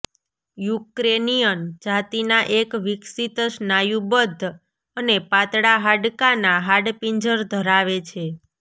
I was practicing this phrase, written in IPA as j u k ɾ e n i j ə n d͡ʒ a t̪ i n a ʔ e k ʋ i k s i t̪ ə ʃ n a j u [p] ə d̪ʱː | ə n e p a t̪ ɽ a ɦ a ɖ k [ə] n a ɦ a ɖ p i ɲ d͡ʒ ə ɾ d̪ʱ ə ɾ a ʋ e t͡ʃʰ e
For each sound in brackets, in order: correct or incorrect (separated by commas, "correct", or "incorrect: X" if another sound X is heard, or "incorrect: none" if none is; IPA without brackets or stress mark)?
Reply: incorrect: b, incorrect: a